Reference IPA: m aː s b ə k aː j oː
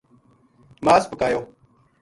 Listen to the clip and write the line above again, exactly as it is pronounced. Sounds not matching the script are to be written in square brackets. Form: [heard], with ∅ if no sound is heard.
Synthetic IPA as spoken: m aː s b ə k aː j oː